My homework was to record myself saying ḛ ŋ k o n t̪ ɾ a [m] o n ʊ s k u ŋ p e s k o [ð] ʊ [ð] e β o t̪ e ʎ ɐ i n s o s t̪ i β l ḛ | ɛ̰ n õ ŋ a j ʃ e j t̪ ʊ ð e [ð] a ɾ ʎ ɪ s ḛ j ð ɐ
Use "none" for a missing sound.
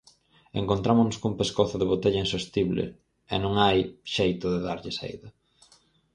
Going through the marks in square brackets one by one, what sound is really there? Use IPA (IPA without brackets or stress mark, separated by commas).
m, θ, ð, ð